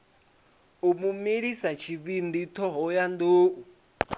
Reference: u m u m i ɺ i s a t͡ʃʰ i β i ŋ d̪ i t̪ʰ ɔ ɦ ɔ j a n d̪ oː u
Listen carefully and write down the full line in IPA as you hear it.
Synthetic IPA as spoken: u m u m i ɺ i s a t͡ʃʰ i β i n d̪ i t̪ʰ ɔ ɦ ɔ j a n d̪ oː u